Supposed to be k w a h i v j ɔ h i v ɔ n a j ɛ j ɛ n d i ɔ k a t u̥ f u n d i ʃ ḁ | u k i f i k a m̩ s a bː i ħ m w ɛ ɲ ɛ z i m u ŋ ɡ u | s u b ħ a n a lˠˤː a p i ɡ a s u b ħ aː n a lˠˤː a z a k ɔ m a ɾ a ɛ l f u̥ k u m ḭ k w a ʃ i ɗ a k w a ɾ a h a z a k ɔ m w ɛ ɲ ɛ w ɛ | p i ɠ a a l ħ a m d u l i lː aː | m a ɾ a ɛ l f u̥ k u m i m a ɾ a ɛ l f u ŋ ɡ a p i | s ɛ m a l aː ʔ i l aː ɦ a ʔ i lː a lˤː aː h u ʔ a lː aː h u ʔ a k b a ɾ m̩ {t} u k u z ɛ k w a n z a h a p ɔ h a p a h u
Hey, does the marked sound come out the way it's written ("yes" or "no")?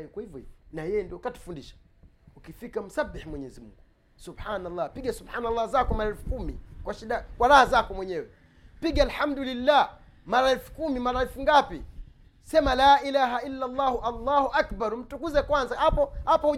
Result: yes